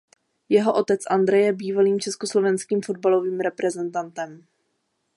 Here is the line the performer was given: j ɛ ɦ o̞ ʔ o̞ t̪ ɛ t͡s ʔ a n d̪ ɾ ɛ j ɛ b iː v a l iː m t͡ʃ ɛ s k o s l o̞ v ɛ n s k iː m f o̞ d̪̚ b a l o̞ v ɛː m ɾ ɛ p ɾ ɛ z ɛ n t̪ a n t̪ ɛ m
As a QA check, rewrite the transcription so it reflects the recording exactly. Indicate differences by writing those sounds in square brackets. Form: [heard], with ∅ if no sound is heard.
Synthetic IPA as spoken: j ɛ ɦ o̞ ʔ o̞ t̪ ɛ t͡s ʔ a n d̪ ɾ ɛ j ɛ b iː v a l iː m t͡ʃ ɛ s k o s l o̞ v ɛ n s k iː m f o̞ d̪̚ b a l o̞ v [iː] m ɾ ɛ p ɾ ɛ z ɛ n t̪ a n t̪ ɛ m